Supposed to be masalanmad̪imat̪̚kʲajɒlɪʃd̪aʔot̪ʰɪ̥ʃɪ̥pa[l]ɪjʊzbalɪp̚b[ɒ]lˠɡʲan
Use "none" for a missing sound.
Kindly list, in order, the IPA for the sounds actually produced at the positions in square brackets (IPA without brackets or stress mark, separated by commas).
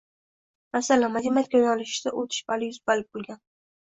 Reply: l, o